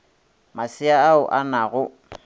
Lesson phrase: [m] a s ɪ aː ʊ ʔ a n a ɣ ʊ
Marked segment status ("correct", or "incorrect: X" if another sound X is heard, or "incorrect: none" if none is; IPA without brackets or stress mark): correct